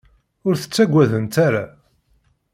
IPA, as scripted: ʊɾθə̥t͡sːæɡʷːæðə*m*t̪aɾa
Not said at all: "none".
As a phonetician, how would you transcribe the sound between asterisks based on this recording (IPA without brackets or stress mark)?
n